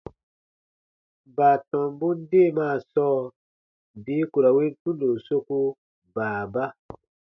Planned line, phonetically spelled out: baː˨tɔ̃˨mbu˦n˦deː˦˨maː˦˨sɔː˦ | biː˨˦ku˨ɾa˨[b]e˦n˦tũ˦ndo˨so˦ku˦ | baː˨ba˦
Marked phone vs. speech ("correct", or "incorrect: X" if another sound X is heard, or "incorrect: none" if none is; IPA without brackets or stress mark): incorrect: w